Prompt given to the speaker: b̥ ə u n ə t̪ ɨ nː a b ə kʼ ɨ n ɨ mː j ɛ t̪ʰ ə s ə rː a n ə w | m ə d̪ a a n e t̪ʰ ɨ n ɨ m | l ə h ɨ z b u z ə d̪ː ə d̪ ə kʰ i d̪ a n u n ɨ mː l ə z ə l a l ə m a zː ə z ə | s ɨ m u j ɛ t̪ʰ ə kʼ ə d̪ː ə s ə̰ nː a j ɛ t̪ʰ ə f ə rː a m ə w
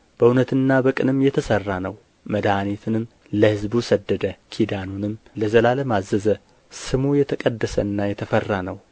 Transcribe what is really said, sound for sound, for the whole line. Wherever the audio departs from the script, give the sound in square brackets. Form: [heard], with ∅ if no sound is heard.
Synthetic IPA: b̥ ə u n ə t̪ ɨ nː a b ə kʼ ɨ n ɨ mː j ɛ t̪ʰ ə s ə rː a n ə w | m ə d̪ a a n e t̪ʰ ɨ n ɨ m | l ə h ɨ z b u [s] ə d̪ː ə d̪ ə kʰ i d̪ a n u n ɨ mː l ə z ə l a l ə m a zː ə z ə | s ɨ m u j ɛ t̪ʰ ə kʼ ə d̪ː ə s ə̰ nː a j ɛ t̪ʰ ə f ə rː a [n] ə w